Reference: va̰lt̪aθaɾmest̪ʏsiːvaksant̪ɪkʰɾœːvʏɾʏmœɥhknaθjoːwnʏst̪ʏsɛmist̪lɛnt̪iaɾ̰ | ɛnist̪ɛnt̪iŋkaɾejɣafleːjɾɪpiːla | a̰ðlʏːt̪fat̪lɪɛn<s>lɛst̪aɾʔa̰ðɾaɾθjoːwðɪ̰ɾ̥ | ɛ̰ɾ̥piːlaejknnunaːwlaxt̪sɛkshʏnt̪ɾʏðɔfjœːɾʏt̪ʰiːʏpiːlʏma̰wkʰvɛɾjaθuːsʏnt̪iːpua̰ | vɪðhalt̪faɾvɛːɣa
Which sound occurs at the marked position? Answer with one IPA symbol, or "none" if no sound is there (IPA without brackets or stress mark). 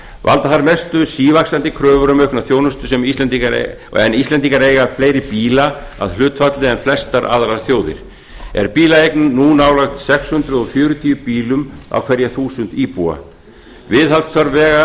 f